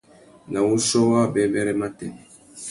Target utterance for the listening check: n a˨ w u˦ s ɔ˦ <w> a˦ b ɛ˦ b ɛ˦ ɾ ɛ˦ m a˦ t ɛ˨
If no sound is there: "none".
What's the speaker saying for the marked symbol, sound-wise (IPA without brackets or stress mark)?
w